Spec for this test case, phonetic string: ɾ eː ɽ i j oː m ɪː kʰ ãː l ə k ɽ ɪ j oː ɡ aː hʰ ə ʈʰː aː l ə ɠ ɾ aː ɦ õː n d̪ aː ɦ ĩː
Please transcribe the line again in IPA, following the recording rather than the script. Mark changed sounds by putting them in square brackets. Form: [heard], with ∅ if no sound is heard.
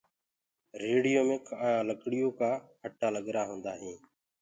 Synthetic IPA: ɾ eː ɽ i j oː m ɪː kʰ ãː l ə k ɽ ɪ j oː [k] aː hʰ ə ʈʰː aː l ə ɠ ɾ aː ɦ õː n d̪ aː ɦ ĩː